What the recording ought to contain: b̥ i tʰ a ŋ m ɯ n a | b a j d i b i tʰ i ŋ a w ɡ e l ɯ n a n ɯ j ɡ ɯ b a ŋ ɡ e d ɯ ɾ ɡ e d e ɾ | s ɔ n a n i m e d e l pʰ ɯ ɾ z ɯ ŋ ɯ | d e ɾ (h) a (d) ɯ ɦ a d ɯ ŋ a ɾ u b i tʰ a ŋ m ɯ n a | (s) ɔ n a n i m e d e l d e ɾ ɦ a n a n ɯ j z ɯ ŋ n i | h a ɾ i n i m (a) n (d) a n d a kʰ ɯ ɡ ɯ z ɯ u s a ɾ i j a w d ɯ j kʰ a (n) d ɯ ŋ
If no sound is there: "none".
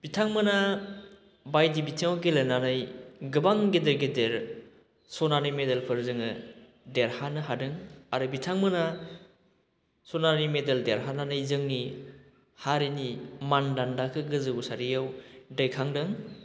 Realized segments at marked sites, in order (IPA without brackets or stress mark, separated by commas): h, n, s, a, d, ŋ